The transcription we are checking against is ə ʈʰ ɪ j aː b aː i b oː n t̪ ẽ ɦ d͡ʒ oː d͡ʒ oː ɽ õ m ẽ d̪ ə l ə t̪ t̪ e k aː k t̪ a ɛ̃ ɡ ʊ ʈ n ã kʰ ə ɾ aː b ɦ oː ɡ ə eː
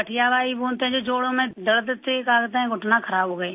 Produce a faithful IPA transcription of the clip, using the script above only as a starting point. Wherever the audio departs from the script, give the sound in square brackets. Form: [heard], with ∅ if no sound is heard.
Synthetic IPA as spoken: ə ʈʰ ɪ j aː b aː i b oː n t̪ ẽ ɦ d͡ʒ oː d͡ʒ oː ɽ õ m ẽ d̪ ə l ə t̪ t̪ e k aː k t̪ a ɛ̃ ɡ ʊ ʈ n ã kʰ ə ɾ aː b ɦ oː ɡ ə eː

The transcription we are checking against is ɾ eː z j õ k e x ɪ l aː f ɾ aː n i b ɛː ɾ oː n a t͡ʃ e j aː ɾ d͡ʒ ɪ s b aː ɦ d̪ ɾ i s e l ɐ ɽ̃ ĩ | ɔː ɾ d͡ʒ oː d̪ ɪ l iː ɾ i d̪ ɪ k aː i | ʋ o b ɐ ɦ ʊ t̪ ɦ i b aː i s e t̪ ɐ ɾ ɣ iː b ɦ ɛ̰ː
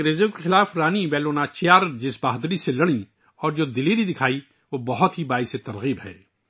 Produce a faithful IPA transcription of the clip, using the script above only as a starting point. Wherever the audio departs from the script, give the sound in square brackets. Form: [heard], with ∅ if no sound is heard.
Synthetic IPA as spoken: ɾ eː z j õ k e x ɪ l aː f ɾ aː n i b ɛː [l] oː n a t͡ʃ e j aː ɾ d͡ʒ ɪ s b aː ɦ d̪ ɾ i s e l ɐ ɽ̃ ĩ | ɔː ɾ d͡ʒ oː d̪ ɪ l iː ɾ i d̪ ɪ [kʰ] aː i | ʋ o b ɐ ɦ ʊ t̪ ɦ i b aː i s e t̪ ɐ ɾ ɣ iː b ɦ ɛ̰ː

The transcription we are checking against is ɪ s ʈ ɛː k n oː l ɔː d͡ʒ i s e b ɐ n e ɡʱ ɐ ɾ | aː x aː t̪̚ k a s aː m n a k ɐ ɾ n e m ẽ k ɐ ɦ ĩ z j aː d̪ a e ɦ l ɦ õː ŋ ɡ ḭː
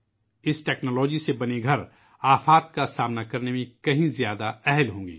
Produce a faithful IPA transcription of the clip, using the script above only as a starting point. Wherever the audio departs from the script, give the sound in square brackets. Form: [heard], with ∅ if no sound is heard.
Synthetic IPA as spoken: ɪ s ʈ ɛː k n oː l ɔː d͡ʒ i s e b ɐ n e ɡʱ ɐ ɾ | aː [f] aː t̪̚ k a s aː m n a k ɐ ɾ n e m ẽ k ɐ ɦ ĩ z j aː d̪ a [ɛ] ɦ l ɦ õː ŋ ɡ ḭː

